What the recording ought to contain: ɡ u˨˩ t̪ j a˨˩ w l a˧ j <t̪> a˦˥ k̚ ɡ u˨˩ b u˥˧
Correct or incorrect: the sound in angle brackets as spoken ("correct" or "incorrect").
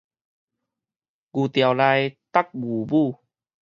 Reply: correct